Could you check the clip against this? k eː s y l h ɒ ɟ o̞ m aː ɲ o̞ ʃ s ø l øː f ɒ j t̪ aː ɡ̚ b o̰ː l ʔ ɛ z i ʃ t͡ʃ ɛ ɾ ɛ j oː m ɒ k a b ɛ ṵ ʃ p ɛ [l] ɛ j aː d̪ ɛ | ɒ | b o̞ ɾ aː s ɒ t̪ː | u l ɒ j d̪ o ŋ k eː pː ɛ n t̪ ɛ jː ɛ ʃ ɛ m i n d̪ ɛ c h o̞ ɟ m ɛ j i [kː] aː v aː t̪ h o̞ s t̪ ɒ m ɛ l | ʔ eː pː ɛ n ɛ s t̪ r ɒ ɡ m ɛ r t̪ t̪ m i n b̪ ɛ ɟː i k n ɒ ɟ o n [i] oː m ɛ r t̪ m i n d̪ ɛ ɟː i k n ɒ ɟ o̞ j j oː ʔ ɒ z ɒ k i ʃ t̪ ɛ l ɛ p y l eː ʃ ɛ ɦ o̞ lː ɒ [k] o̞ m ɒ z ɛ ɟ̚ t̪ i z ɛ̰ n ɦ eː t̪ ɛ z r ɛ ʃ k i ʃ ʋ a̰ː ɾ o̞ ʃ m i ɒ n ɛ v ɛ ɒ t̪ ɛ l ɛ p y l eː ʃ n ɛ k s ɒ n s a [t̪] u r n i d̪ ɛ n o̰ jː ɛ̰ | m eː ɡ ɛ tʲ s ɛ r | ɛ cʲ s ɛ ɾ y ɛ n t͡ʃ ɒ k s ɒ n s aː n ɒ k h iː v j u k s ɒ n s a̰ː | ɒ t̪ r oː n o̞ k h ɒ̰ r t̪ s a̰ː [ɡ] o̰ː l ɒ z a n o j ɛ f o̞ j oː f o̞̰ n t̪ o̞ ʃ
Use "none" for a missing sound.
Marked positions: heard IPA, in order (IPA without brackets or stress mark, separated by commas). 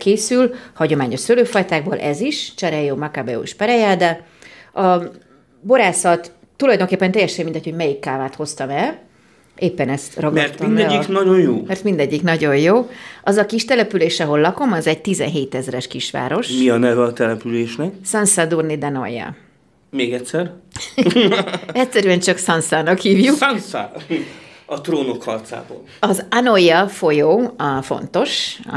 ɾ, kː, j, k, d̪, b